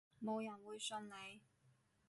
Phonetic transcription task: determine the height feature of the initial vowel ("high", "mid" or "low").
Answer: mid